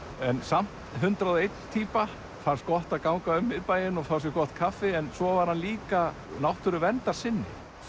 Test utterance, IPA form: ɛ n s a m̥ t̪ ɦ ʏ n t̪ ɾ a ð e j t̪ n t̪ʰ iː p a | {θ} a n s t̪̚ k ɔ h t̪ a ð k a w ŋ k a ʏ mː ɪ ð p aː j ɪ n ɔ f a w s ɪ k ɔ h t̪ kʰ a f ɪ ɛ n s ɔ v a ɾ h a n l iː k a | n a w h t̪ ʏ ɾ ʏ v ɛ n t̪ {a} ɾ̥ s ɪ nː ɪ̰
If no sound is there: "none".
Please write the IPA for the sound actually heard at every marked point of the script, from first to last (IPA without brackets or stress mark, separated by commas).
f, a